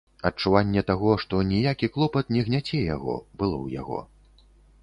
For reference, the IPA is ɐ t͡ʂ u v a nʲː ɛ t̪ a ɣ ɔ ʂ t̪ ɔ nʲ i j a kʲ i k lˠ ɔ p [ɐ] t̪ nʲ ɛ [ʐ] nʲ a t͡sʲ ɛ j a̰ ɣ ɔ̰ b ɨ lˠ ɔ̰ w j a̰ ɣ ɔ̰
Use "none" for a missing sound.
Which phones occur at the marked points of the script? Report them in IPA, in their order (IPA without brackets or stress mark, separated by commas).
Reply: ɐ, ɣ